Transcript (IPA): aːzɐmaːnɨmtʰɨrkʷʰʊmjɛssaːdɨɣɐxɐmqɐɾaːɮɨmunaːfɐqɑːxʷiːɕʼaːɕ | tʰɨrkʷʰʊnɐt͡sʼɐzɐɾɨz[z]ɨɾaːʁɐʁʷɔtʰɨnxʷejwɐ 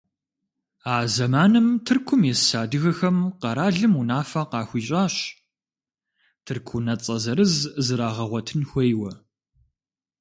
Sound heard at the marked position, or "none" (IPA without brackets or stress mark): z